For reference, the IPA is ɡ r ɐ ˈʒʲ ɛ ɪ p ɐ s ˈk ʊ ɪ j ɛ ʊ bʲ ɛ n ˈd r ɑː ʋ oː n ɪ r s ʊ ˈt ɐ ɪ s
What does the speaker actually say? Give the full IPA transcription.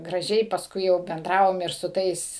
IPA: ɡ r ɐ ˈʒʲ ɛ ɪ p ɐ s ˈk ʊ ɪ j ɛ ʊ bʲ ɛ n ˈd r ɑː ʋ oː m ɪ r s ʊ ˈt ɐ ɪ s